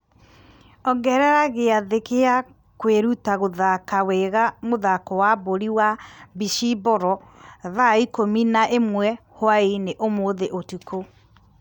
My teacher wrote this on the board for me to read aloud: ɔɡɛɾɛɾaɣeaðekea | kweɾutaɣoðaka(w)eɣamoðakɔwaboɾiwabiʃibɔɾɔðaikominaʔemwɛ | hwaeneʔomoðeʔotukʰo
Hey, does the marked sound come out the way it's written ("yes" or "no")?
yes